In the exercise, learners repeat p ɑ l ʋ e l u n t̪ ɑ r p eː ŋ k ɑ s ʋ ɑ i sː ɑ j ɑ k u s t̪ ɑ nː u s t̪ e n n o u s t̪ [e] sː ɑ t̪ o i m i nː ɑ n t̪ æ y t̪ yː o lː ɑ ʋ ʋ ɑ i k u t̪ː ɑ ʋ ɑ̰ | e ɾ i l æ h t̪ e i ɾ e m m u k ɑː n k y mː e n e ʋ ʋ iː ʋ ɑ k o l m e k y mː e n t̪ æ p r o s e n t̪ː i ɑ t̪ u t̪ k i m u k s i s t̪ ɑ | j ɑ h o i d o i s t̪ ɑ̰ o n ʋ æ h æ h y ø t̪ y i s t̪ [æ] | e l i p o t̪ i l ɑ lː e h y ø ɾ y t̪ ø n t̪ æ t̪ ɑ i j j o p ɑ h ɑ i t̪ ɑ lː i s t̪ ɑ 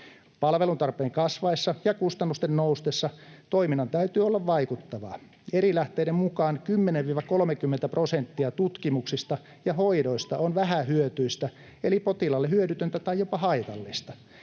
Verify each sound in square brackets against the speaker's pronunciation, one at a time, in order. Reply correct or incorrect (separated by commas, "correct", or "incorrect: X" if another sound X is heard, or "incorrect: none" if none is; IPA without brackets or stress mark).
correct, correct